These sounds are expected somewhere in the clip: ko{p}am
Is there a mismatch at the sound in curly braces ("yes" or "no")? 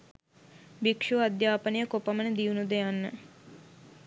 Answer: no